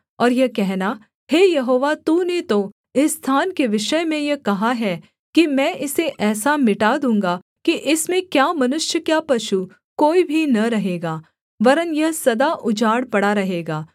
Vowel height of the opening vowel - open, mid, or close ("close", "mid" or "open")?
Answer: mid